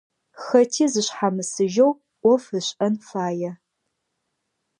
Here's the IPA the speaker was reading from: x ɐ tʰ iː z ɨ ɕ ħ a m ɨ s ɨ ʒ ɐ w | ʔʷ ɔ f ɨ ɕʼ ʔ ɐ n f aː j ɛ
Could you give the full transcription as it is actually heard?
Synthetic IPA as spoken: x ɐ tʰ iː z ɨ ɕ ħ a m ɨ s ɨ ʒ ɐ w | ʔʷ ɔ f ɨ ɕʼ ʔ ɐ n f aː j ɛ